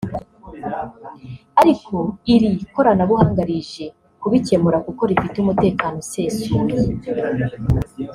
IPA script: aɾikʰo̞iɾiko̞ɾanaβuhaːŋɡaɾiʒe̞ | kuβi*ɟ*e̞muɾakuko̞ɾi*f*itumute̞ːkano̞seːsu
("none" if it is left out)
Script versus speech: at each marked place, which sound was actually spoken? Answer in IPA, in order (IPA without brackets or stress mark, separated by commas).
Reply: c, f